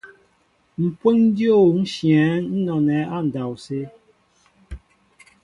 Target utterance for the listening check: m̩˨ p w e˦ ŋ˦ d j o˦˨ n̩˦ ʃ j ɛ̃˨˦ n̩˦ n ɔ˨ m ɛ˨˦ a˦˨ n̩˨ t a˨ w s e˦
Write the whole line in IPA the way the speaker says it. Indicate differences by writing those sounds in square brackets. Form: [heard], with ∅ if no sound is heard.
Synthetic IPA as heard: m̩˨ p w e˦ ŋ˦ d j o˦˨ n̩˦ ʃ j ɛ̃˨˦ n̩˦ n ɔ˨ [n] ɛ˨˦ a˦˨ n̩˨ [d] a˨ w s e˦